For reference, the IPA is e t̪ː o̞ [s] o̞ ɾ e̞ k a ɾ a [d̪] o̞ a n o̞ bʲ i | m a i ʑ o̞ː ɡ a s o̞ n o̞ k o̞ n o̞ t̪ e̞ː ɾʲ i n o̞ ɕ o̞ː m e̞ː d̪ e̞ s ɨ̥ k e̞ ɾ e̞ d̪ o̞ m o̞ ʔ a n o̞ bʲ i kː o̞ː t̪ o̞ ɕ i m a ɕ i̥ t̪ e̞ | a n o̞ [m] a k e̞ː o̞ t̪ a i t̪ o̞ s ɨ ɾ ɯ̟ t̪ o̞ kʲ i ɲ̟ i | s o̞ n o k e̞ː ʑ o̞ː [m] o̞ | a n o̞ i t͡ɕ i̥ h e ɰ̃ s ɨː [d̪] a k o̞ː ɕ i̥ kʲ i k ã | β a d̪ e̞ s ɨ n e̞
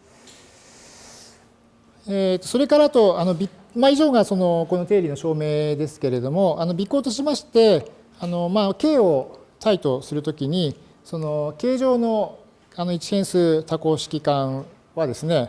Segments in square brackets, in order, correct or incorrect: correct, incorrect: t̪, correct, incorrect: n, incorrect: t̪

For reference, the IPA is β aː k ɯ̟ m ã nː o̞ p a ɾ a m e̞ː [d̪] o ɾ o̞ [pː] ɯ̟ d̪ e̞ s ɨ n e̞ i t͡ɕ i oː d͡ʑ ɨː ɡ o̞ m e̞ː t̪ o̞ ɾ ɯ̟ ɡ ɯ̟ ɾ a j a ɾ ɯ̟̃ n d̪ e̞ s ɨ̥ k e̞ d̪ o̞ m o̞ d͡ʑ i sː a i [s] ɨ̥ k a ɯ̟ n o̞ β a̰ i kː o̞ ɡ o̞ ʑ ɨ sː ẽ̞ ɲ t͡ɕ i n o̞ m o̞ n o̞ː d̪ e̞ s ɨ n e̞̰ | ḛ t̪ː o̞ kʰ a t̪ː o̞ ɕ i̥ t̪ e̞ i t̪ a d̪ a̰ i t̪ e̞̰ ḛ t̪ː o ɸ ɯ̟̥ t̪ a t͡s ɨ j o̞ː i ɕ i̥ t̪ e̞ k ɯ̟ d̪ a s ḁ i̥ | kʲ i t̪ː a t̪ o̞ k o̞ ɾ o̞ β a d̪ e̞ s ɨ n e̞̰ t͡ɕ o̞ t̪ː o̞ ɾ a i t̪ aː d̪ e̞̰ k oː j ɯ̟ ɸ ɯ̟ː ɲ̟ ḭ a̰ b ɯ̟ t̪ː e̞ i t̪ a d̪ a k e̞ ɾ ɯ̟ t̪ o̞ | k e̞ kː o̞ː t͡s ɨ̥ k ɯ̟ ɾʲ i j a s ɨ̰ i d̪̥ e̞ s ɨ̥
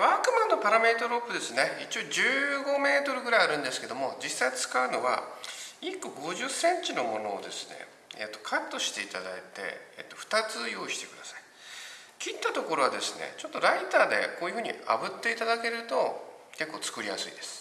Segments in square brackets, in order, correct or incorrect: incorrect: t̪, correct, incorrect: t͡s

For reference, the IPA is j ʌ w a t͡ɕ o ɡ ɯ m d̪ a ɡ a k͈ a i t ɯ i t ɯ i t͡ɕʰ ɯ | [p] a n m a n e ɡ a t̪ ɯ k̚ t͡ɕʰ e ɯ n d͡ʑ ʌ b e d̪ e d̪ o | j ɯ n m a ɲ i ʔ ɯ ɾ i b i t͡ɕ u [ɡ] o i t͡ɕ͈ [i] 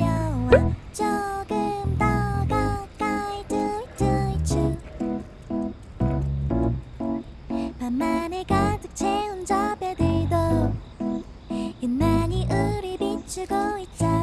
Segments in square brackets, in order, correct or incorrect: correct, correct, incorrect: a

